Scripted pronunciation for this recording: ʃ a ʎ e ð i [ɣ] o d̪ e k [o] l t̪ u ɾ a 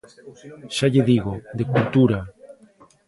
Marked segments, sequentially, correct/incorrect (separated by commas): correct, incorrect